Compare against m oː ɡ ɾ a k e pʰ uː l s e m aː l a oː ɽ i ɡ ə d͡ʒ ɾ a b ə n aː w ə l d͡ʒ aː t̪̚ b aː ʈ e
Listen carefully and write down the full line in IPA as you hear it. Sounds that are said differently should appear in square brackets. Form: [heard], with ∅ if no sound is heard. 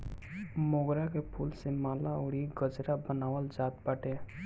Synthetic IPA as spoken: m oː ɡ ɾ a k e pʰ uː l s e m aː l a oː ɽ i ɡ ə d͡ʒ ɾ a b ə n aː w ə l d͡ʒ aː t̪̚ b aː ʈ e